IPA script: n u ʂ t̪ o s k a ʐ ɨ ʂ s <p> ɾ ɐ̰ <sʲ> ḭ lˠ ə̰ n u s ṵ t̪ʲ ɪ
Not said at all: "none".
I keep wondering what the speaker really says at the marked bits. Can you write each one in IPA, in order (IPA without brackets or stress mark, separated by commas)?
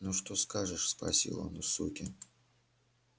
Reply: p, sʲ